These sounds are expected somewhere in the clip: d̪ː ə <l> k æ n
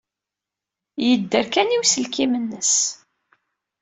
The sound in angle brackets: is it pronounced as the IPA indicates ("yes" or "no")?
no